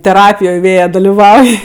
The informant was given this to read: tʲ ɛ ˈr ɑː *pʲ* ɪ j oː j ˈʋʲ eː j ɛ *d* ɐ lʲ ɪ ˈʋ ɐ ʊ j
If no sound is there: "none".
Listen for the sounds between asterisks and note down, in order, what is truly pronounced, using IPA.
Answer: pʲ, d

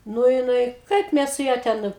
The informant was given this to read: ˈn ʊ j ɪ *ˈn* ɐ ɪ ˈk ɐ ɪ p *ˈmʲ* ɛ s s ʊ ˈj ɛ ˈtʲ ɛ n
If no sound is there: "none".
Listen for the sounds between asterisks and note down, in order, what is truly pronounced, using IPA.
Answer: n, mʲ

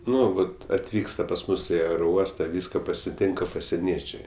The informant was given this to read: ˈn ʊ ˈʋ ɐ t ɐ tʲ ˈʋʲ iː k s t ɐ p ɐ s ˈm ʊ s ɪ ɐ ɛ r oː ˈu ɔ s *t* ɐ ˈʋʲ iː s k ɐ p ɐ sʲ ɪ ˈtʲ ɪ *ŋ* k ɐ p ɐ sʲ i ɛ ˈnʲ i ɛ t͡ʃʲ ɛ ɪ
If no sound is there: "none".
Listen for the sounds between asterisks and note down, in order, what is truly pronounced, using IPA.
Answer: t, ŋ

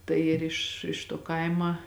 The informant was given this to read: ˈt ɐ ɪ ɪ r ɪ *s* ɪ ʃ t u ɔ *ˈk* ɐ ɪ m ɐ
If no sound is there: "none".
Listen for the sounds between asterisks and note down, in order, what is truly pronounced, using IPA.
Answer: ʃ, k

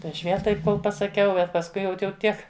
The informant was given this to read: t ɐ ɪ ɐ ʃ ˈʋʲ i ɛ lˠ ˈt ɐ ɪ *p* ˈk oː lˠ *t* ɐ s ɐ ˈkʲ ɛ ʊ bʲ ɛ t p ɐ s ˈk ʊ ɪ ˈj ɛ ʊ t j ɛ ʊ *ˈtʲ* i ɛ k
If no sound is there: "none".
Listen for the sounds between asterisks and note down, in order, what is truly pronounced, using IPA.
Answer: p, p, tʲ

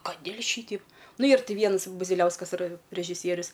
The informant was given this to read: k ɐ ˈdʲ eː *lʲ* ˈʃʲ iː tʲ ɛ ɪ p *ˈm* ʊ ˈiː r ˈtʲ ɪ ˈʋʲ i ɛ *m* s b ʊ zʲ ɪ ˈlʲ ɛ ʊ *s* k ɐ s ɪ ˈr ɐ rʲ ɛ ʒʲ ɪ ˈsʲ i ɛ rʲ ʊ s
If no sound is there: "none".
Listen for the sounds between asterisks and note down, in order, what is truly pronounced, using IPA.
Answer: lʲ, n, n, s

